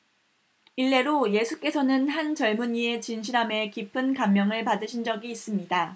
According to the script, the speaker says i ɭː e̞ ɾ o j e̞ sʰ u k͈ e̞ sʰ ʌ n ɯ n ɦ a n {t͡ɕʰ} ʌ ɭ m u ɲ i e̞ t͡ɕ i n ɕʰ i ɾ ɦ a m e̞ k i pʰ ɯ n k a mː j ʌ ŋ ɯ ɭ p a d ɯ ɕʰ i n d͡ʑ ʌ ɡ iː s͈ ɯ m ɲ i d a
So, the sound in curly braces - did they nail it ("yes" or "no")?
no